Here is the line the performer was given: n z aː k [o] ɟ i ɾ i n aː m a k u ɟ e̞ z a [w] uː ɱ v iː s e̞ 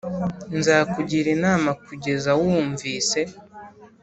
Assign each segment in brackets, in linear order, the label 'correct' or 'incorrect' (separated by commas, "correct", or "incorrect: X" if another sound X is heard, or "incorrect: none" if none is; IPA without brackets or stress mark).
incorrect: u, correct